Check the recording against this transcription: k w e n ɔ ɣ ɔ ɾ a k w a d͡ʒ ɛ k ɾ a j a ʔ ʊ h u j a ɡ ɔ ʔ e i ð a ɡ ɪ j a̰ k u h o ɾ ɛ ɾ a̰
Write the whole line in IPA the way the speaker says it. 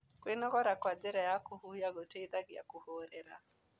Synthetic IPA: k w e n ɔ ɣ ɔ ɾ a k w a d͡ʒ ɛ ɾ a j a k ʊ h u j a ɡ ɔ t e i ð a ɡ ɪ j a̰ k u h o ɾ ɛ ɾ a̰

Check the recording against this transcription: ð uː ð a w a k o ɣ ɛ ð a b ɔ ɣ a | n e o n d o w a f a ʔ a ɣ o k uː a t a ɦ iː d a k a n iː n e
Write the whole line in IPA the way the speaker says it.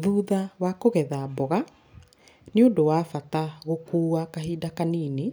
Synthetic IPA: ð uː ð a w a k o ɣ ɛ ð a b ɔ ɣ a | n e o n d o w a f a t a ɣ o k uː a k a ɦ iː d a k a n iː n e

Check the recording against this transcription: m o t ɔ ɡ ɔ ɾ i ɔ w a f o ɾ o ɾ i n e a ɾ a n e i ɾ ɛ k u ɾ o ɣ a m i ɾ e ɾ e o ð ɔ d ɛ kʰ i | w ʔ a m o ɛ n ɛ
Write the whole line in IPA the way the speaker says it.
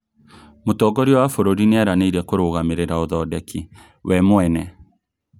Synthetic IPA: m o t ɔ ɡ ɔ ɾ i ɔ w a f o ɾ o ɾ i n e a ɾ a n e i ɾ ɛ k o ɾ o ɣ a m e ɾ e ɾ a o ð ɔ d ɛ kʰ i | w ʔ ɛ m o ɛ n ɛ

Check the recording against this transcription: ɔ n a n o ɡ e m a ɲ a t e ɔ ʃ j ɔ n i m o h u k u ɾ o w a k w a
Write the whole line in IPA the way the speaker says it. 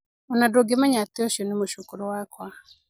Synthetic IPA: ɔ n a d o ɡ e m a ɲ a t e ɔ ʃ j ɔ n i m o ʃ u k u ɾ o w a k w a

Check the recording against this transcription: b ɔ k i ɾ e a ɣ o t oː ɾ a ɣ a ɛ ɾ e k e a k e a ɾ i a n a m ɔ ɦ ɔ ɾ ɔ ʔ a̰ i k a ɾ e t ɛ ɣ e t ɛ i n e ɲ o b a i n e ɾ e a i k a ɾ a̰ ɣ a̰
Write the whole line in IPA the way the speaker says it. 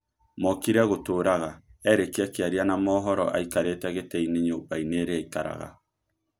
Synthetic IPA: m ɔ k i ɾ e a ɣ o t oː ɾ a ɣ a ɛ ɾ e k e a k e a ɾ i a n a m ɔ ɦ ɔ ɾ ɔ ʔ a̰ i k a ɾ e t ɛ ɣ e t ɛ i n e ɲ o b a i n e ɾ e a i k a ɾ a̰ ɣ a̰

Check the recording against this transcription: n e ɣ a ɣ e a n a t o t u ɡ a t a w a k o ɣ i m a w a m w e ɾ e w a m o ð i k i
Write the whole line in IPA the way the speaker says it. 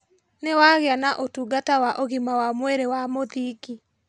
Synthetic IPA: n e w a ɣ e a n a ʔ o t u ɡ a t a w a ʔ o ɣ i m a w a m w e ɾ e w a m o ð i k i

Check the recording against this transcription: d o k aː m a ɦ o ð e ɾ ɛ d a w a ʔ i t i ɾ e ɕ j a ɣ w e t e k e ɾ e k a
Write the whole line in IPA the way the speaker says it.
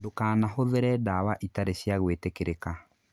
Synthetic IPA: d o k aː n a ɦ o ð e ɾ ɛ d a w a ʔ i t a ɾ e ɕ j a ɣ w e t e k e ɾ e k a

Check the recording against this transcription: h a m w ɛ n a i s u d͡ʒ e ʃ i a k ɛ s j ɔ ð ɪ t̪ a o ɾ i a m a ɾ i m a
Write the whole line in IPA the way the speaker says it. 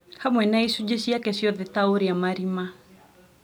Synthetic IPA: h a m w ɛ n a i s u d͡ʒ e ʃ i a k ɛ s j ɔ ð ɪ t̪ a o ɾ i a m a ɾ i m a

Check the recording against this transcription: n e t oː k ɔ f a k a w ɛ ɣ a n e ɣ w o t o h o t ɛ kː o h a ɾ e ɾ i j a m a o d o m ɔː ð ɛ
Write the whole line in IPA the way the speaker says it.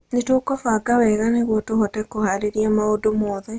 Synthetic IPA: n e t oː k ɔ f a ɡ a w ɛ ɣ a n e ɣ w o t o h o t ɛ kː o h a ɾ e ɾ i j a m a o d o m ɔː ð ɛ

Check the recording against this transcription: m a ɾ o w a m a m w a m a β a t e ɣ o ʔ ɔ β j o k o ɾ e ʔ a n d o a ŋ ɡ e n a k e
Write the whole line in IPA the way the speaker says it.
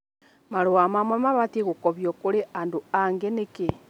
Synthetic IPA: m a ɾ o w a m a m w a m a β a t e ɣ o k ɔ β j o k o ɾ e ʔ a n d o a ŋ ɡ e n e k e

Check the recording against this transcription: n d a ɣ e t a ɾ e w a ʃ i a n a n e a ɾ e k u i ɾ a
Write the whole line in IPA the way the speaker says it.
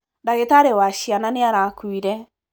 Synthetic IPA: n d a ɣ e t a ɾ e w a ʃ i a n a n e a ɾ a k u i ɾ ɛ

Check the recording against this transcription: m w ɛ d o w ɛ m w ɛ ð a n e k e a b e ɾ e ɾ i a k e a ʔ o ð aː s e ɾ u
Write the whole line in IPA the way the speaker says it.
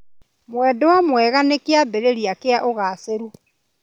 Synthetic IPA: m w ɛ d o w a m w ɛ ɣ a n e k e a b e ɾ e ɾ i a k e a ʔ o ɣ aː s e ɾ u

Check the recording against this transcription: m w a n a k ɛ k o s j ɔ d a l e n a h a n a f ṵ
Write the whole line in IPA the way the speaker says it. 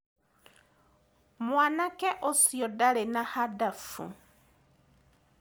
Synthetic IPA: m w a n a k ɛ ʔ o s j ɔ d a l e n a h a d a f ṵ

